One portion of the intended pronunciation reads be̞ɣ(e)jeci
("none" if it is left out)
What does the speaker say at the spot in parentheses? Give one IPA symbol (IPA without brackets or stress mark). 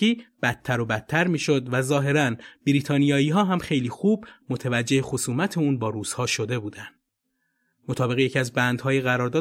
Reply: e